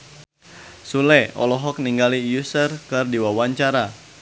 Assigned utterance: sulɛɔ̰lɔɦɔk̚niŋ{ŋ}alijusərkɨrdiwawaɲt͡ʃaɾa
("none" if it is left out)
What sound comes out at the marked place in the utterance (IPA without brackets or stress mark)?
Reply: ɡ